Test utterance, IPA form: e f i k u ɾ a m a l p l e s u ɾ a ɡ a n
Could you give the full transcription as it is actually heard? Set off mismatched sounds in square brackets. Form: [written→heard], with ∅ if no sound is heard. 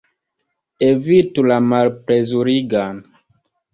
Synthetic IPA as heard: e [f→v] i [k→t] u [ɾ→l] a m a l p [l→ɾ] e [s→z] u ɾ [a→i] ɡ a n